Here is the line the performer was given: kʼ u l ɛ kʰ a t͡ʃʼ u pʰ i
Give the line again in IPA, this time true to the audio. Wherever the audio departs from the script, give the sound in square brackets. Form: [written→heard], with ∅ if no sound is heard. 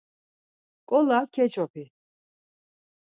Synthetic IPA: kʼ [u→ɔ] l [ɛ→a] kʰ [a→ɛ] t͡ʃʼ [u→ɔ] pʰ i